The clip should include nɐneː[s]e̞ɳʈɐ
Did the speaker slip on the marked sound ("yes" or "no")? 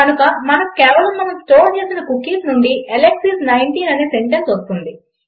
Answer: no